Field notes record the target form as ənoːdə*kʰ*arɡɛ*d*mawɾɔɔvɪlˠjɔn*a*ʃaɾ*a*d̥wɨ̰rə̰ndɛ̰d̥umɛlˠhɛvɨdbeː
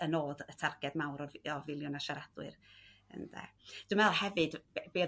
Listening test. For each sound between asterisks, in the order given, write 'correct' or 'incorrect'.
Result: incorrect: tʰ, correct, correct, correct

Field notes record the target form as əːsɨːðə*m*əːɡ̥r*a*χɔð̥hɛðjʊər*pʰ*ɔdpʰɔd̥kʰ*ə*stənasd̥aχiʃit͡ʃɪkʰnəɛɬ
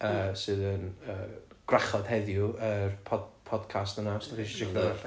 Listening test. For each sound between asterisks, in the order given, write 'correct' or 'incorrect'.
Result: incorrect: n, correct, correct, incorrect: a

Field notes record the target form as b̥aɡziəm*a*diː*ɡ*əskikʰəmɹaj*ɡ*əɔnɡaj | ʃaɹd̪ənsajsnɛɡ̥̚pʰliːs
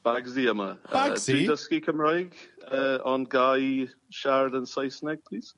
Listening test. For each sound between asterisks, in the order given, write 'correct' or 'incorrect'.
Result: incorrect: ə, incorrect: d, correct

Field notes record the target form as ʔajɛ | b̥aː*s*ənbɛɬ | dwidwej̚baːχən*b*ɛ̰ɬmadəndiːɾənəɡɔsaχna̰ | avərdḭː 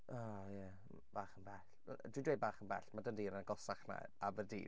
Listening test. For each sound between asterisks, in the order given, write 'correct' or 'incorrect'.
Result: incorrect: χ, correct

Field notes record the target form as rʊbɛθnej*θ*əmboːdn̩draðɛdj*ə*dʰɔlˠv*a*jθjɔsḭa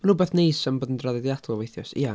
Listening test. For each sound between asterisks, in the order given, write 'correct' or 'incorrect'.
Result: incorrect: s, incorrect: a, incorrect: e

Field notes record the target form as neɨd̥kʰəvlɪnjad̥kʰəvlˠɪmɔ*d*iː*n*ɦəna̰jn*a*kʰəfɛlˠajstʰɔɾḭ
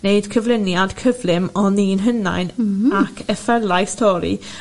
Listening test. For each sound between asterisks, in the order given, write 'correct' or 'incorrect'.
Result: incorrect: n, correct, correct

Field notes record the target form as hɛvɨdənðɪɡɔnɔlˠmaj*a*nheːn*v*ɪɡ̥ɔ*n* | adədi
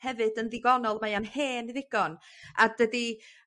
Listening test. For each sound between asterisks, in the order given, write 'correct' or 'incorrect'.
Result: correct, incorrect: ð, correct

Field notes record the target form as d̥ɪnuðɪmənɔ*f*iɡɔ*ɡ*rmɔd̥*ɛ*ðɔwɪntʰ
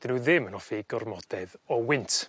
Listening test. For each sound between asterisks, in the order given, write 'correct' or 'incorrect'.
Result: correct, incorrect: none, correct

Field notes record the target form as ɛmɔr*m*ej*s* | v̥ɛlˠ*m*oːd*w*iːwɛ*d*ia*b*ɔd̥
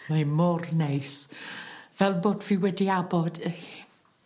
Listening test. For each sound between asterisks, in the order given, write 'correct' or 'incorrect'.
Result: incorrect: n, correct, incorrect: b, incorrect: v, correct, correct

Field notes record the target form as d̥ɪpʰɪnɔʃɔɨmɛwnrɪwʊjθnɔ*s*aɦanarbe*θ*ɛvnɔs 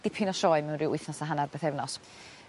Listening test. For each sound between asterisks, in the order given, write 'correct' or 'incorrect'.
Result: correct, correct

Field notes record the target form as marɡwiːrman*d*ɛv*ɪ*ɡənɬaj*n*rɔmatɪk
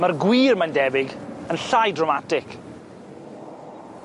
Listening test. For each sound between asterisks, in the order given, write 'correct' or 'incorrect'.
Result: correct, correct, incorrect: d

